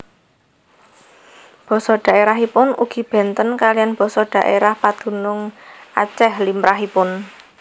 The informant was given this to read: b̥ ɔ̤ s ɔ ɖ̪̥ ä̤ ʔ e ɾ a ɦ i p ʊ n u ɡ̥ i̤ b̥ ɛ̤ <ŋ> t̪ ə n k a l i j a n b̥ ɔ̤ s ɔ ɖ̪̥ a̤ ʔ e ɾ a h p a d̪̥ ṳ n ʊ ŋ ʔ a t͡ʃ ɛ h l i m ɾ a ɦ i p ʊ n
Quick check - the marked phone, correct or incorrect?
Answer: incorrect